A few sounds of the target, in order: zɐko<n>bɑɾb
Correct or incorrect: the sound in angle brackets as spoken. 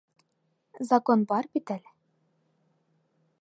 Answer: correct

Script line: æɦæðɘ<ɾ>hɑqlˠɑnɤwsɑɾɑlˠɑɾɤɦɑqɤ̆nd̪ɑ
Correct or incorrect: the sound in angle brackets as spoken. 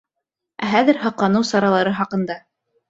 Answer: correct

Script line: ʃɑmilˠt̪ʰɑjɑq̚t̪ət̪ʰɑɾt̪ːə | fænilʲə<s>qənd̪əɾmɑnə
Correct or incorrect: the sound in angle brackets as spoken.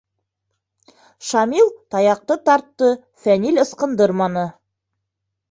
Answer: correct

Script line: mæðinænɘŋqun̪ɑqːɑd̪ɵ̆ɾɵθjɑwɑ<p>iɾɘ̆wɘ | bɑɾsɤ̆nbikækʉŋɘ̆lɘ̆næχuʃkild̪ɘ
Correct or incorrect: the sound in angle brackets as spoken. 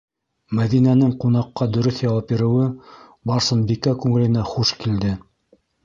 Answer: correct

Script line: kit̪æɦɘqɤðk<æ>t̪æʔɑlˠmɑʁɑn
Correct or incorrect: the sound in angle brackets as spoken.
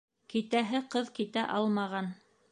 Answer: incorrect: i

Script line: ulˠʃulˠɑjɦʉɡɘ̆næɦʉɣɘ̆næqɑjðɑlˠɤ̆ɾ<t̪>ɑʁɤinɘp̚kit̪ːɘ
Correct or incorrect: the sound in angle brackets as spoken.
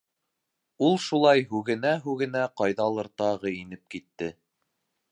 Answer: correct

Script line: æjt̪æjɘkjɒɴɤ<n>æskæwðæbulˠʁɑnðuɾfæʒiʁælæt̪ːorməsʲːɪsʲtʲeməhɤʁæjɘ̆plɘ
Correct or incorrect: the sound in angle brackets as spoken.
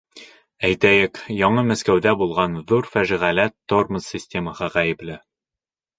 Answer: incorrect: m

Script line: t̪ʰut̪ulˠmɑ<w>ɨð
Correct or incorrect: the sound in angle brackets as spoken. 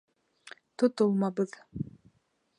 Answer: incorrect: b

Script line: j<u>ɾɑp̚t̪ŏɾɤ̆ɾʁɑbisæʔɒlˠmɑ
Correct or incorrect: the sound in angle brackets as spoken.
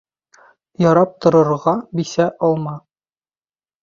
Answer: incorrect: ɒ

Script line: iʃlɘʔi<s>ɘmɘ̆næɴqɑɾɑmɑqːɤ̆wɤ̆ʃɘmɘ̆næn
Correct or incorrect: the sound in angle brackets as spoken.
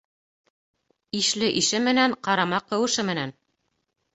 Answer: incorrect: ʃ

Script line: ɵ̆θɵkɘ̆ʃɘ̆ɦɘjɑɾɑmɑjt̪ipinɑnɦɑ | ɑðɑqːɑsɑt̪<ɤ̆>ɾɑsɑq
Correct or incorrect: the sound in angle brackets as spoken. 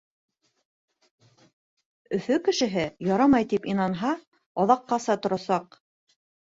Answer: incorrect: ŏ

